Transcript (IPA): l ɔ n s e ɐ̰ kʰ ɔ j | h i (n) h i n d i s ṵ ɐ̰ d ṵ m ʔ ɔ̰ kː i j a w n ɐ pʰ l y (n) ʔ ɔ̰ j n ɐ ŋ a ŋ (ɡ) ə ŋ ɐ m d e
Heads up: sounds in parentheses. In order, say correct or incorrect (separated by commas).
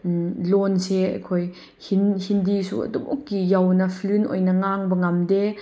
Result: correct, correct, incorrect